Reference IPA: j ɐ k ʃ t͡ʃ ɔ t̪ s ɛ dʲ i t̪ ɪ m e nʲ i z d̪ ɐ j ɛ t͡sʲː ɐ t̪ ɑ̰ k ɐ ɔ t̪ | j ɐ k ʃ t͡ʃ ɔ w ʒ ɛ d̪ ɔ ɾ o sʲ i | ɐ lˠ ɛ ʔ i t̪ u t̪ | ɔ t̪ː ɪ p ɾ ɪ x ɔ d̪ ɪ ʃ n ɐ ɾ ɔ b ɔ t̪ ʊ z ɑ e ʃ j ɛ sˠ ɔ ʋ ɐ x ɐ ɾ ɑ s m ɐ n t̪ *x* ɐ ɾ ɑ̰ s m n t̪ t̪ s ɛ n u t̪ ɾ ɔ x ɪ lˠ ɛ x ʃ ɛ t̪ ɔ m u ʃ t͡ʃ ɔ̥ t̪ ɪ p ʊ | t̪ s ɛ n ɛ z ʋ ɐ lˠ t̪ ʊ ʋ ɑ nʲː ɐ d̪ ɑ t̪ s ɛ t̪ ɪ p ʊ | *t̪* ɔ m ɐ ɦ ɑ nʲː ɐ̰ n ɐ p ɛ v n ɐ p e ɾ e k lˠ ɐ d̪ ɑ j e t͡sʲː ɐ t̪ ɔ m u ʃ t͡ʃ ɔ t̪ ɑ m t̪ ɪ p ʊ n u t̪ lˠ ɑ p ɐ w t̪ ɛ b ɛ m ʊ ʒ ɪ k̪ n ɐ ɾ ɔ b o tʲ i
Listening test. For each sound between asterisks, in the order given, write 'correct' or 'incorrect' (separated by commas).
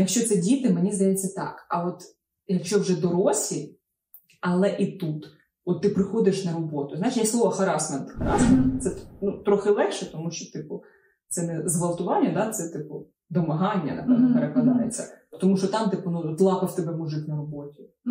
correct, incorrect